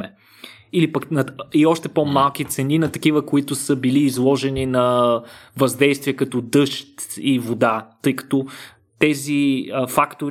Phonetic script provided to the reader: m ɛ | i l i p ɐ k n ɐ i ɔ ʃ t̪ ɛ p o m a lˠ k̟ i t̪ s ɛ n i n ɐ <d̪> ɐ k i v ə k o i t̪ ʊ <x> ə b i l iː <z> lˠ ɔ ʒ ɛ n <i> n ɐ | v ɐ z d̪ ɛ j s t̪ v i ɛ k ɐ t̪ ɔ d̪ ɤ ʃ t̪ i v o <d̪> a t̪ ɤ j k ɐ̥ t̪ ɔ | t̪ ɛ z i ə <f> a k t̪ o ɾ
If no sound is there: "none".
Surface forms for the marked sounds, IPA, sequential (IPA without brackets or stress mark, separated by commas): t̪, s, z, i, d̪, f